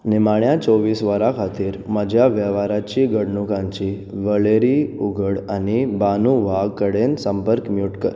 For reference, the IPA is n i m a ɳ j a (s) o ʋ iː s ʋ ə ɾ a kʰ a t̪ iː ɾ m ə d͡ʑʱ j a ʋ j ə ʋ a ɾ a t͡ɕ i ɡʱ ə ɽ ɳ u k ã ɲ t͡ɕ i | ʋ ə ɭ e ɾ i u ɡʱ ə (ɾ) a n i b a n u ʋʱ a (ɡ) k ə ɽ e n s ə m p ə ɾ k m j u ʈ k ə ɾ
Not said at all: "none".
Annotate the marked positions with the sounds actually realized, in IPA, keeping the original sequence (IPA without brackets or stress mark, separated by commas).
t͡s, ɽ, ɡ